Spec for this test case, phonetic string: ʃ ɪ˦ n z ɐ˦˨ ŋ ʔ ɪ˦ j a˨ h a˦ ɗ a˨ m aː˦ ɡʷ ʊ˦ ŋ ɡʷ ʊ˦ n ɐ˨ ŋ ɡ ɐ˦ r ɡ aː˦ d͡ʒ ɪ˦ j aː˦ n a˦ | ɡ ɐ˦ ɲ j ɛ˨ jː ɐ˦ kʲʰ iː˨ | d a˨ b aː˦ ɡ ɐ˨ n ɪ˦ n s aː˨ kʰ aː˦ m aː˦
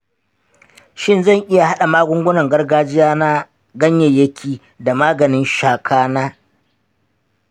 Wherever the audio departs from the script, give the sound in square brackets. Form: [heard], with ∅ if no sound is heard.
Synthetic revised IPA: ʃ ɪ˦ n z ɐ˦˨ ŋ ʔ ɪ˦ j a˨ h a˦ ɗ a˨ m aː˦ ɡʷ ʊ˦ ŋ ɡʷ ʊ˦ n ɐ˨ ŋ ɡ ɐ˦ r ɡ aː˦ d͡ʒ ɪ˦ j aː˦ n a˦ | ɡ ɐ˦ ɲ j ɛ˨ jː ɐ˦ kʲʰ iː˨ | d a˨ [m] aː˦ ɡ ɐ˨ n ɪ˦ n [ʃ] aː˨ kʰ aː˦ [n] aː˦